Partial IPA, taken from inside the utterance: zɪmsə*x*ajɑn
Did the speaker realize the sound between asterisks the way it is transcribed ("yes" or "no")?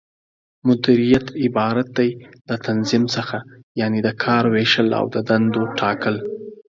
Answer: yes